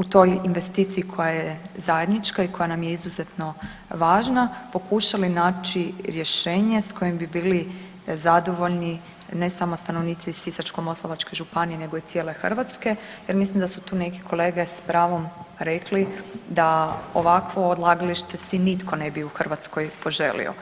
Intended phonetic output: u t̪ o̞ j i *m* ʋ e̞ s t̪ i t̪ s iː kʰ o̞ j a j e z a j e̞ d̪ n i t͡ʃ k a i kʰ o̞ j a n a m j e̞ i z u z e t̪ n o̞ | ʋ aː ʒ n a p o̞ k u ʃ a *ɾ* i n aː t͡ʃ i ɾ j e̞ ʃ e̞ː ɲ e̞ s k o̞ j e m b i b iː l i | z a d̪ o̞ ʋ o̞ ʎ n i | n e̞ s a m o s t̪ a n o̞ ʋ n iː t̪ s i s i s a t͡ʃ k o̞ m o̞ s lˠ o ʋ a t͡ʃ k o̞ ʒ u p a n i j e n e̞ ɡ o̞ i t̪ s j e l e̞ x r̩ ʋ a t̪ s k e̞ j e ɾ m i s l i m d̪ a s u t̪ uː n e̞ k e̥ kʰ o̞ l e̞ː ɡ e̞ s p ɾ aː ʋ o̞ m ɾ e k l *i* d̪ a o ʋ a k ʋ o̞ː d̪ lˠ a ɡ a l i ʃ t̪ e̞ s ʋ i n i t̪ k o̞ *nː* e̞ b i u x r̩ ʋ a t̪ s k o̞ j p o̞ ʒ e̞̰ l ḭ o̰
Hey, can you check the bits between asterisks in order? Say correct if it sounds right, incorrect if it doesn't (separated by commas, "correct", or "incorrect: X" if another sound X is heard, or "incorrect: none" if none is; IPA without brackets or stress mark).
incorrect: n, incorrect: l, correct, incorrect: n